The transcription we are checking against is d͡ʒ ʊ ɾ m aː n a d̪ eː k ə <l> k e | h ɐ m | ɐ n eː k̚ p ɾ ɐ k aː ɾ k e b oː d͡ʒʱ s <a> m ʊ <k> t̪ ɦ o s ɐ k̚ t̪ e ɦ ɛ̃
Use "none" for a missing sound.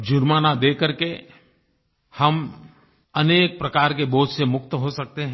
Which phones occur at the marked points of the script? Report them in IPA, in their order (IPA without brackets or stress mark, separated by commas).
ɾ, e, k